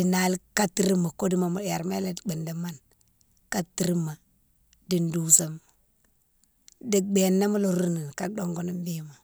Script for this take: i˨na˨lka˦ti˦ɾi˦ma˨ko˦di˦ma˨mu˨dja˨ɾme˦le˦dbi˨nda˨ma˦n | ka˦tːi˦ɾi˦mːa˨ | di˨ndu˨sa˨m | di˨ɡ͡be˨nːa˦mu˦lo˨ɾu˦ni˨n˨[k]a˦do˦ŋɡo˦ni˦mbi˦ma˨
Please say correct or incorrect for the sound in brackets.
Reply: correct